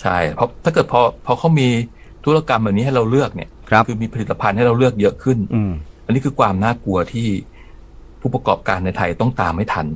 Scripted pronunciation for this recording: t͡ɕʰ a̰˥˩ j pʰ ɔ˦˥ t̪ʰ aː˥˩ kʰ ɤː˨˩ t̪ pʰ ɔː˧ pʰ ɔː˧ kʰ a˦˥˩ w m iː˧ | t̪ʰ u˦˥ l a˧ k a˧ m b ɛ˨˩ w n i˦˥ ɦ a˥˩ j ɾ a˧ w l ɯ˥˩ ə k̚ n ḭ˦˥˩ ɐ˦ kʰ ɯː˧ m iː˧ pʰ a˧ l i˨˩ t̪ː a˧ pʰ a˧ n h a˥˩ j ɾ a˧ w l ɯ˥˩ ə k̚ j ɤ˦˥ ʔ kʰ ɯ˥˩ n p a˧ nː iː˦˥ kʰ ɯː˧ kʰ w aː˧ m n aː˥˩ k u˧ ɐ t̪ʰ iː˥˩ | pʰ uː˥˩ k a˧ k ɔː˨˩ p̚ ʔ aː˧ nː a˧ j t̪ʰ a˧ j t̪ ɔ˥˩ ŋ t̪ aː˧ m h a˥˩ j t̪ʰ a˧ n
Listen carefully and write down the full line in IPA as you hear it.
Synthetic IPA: t͡ɕʰ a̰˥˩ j pʰ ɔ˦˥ t̪ʰ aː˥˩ k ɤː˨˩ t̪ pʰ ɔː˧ pʰ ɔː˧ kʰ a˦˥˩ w m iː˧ | t̪ʰ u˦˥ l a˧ k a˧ m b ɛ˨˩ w n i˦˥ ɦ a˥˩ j ɾ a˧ w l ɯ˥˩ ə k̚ n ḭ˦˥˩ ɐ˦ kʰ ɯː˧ m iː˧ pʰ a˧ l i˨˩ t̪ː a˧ pʰ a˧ n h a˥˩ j ɾ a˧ w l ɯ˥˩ ə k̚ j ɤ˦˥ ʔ kʰ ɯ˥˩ n ʔ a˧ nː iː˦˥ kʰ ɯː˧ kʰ w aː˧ m n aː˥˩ k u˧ ɐ t̪ʰ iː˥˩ | pʰ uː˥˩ p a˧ k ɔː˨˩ p̚ k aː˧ nː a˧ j t̪ʰ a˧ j t̪ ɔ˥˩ ŋ t̪ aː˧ m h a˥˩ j t̪ʰ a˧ n